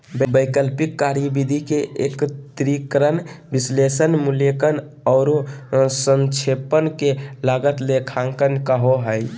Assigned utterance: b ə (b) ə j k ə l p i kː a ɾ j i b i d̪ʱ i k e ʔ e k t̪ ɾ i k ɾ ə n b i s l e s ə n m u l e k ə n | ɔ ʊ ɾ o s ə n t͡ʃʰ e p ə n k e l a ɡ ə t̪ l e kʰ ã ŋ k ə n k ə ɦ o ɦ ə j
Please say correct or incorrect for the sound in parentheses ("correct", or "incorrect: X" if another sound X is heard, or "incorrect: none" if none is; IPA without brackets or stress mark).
correct